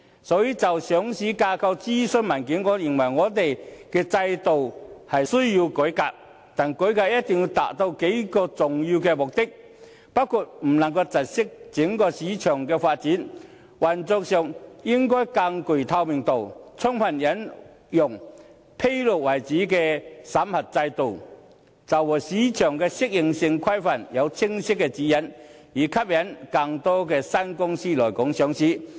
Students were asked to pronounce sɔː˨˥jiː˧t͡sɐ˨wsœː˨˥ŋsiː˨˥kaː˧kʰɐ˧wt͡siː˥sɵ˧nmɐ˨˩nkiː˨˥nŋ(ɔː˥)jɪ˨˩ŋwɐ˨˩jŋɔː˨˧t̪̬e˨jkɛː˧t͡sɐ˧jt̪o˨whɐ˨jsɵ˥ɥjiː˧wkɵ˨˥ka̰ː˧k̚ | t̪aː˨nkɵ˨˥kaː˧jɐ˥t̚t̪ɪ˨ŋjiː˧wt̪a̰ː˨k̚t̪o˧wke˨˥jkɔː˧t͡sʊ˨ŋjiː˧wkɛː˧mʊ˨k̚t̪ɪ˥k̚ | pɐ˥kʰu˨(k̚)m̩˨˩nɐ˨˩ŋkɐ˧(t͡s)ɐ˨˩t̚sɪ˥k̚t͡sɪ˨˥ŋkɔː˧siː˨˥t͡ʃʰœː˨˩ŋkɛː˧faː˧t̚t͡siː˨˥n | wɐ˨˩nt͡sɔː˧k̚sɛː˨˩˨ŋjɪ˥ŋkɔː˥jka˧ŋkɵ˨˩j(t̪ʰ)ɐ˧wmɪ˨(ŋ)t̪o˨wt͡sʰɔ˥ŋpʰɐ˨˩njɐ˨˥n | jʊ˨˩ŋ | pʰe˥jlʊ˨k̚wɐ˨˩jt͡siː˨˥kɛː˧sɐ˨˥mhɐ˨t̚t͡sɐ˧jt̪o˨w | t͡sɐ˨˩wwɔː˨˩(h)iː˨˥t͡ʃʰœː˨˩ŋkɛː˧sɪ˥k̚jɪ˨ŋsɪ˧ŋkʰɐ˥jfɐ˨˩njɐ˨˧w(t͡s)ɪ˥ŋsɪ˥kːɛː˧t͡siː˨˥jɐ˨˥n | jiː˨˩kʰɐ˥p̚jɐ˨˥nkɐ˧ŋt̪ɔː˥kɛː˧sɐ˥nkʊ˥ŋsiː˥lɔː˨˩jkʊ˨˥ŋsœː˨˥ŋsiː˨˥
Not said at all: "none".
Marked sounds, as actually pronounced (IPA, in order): ɔː˨˧, t̚, t͡s, t̪ʰ, ŋ, s, t͡sʰ

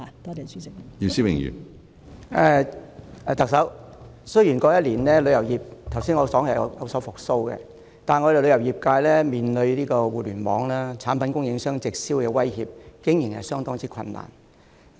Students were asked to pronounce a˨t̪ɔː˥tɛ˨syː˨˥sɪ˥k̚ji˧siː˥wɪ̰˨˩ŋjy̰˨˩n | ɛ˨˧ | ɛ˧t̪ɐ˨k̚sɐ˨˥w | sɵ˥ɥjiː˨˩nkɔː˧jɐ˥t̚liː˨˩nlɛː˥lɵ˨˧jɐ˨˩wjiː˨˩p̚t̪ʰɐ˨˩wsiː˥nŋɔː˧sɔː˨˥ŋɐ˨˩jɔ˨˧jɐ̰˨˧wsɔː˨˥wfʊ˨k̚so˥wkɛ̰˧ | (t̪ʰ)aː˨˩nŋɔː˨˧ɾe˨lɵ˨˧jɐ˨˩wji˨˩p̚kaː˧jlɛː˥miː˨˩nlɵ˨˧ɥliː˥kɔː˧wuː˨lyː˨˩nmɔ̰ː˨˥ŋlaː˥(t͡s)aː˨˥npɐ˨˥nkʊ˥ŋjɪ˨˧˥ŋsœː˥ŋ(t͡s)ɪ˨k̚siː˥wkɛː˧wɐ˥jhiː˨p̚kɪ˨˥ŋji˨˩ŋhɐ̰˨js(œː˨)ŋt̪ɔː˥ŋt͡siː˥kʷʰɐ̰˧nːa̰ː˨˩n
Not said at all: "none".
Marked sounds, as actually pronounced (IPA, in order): t̪, t͡sʰ, t͡s, œː˥

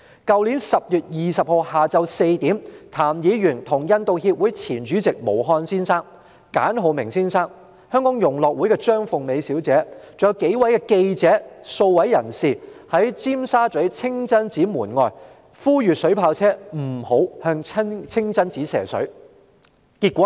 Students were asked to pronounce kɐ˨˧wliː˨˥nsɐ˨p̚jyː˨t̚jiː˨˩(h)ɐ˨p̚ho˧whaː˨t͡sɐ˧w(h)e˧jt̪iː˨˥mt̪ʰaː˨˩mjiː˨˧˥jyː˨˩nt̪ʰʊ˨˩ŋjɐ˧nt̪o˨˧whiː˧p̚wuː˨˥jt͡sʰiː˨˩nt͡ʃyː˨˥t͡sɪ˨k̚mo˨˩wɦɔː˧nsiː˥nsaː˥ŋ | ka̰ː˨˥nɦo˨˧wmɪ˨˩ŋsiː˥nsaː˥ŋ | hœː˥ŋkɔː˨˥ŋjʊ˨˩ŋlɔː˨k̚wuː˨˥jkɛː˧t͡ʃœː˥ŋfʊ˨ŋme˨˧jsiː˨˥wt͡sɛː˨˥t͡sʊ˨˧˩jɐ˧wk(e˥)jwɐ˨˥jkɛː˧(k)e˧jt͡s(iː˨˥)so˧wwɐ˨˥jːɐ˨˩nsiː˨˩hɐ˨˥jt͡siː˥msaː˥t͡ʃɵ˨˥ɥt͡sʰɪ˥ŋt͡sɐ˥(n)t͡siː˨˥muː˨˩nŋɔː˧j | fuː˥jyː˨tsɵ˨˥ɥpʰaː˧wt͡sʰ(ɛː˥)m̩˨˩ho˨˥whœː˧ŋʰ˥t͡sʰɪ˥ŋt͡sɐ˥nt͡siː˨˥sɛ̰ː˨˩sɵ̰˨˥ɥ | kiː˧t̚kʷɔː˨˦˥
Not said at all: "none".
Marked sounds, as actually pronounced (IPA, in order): s, s, e˨˥, k, ɛː˨˥, n, ɛː˥

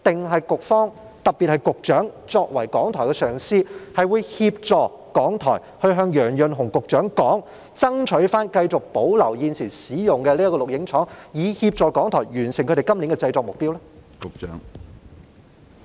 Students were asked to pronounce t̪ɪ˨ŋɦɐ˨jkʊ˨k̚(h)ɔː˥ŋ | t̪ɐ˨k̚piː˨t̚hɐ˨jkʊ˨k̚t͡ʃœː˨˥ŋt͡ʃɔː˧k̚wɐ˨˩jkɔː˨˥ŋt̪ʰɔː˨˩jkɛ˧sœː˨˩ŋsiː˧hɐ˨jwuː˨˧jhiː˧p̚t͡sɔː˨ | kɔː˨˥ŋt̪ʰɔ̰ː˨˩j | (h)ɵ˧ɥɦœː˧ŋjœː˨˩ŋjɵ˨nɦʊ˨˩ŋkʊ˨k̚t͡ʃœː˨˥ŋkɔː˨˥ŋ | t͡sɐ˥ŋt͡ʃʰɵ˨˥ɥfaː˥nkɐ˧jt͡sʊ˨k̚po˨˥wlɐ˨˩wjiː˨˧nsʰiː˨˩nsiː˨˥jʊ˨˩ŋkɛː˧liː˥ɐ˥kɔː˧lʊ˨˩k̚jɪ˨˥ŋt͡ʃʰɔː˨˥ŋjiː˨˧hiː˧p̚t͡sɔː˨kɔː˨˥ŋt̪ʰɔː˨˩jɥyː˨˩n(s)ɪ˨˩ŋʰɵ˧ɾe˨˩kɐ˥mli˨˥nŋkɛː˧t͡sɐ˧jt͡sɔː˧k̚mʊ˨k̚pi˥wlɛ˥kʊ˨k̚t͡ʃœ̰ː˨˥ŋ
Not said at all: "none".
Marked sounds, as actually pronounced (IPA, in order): f, h, s

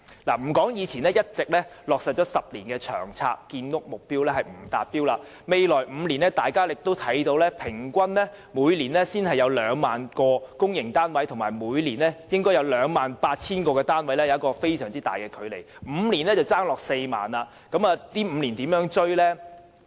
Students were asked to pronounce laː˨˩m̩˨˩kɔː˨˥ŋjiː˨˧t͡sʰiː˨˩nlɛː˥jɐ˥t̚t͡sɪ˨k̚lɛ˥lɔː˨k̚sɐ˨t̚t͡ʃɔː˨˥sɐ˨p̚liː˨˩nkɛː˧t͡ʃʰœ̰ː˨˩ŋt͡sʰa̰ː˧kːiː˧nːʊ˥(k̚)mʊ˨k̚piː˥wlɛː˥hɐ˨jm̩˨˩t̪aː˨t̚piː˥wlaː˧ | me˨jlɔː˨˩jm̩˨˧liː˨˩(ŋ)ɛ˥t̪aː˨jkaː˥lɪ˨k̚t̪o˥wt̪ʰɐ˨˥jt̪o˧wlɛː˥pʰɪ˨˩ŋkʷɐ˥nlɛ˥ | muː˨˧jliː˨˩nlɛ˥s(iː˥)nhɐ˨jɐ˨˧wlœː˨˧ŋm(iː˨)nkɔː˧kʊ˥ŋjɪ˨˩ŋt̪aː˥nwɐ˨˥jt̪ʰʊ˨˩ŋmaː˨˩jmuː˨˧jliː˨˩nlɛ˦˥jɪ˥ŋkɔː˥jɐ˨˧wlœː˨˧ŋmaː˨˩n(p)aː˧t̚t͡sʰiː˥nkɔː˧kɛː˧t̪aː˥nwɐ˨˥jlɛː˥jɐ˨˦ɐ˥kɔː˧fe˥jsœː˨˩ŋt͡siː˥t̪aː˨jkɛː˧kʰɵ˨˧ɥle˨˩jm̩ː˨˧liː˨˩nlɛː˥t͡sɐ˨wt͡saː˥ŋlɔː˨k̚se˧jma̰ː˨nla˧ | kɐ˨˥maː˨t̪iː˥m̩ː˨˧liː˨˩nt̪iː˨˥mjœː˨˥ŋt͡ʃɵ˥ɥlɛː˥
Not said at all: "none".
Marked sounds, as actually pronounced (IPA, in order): k̚, n, iː˥, aː˨, p

